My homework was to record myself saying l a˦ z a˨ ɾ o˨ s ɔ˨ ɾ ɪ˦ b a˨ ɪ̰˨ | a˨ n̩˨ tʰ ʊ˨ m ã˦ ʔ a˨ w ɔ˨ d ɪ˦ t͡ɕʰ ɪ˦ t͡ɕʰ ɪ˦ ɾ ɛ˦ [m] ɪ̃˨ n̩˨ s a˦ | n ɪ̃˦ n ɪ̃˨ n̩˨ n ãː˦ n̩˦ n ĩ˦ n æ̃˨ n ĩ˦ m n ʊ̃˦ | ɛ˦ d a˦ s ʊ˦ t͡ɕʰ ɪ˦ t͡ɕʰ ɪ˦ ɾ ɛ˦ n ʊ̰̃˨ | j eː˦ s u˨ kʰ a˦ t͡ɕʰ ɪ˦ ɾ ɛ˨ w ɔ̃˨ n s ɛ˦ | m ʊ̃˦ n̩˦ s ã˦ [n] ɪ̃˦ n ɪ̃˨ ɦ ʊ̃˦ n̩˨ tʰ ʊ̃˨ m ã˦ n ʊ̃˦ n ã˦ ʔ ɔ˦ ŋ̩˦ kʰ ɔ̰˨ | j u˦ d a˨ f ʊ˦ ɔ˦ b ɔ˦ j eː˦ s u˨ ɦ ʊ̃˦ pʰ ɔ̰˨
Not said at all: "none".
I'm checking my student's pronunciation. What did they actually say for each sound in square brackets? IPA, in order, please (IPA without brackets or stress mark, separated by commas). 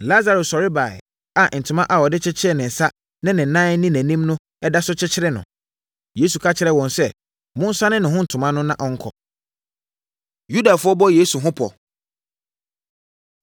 n, n